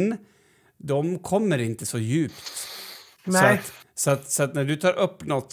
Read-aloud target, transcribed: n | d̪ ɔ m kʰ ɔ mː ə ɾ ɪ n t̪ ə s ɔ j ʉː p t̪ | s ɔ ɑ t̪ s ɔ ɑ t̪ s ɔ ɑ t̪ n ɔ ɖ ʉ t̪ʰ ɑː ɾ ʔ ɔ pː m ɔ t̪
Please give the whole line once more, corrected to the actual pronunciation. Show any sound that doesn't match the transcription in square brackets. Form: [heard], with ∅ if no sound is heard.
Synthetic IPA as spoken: n | d̪ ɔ m kʰ ɔ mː ə ɾ ɪ n t̪ ə s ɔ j ʉː p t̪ | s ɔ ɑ t̪ s ɔ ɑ t̪ s ɔ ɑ t̪ n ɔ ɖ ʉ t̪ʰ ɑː ɾ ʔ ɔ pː [n] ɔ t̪